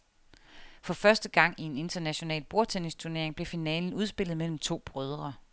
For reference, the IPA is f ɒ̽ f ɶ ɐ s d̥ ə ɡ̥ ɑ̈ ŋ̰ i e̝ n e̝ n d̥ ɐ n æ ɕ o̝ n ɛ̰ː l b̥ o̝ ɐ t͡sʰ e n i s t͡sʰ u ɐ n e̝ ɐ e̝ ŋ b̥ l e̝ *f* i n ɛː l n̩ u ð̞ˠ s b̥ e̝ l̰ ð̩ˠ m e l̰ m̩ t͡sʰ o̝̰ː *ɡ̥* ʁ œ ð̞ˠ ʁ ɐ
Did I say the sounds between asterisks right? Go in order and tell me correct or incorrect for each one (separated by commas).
correct, incorrect